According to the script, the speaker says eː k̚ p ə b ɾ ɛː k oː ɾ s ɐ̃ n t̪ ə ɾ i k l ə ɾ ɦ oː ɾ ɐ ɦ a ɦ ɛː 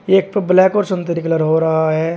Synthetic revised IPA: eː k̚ p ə b l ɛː k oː ɾ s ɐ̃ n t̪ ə ɾ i k l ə ɾ ɦ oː ɾ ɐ ɦ a ɦ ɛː